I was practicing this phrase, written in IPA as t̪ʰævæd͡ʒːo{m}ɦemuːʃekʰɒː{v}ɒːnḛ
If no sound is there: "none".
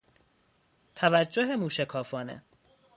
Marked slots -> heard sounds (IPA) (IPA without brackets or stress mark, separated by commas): none, f